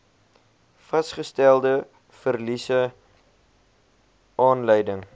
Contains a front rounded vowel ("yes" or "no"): no